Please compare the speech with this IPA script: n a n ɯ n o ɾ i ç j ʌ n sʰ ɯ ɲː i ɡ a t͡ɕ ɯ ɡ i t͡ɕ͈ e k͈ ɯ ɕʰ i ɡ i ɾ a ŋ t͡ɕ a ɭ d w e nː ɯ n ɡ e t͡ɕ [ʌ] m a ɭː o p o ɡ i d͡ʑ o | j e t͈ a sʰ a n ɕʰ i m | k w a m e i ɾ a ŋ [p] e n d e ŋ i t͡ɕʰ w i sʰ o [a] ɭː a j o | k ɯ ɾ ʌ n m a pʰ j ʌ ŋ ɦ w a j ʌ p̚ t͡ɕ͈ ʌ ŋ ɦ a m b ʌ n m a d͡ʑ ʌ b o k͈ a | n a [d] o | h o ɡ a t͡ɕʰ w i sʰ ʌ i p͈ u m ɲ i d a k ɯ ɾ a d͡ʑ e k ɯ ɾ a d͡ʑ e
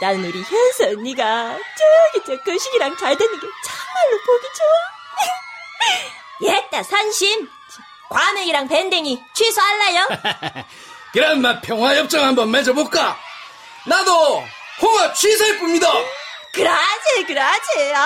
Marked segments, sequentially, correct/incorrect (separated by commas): incorrect, correct, correct, correct